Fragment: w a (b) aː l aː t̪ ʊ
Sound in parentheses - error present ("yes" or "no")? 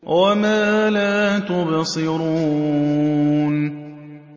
yes